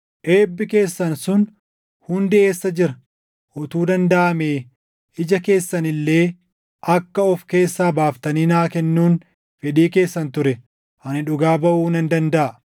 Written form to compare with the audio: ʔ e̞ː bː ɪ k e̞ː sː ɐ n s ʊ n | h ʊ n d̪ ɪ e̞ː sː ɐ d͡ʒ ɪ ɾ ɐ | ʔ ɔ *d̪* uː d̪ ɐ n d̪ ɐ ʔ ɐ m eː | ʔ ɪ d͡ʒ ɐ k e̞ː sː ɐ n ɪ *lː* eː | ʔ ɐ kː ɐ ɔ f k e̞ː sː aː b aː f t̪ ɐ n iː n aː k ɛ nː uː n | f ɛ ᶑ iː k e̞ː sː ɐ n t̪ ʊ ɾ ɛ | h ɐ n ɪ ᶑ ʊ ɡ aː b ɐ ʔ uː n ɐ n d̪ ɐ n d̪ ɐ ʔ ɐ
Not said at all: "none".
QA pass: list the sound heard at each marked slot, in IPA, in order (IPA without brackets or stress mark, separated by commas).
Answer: t̪, lː